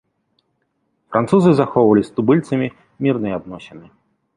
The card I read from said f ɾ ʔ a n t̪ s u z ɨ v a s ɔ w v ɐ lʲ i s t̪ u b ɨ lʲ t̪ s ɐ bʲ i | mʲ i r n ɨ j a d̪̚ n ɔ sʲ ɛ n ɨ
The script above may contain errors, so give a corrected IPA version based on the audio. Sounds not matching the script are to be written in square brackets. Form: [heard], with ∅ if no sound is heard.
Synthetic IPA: f ɾ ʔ a n t̪ s u z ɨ [z] a [x] ɔ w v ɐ lʲ i s t̪ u b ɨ lʲ t̪ s ɐ [mʲ] i | mʲ i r n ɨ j a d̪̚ n ɔ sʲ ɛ n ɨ